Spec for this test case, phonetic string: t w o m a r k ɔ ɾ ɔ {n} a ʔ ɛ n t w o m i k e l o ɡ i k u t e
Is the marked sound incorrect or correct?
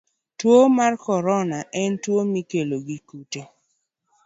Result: correct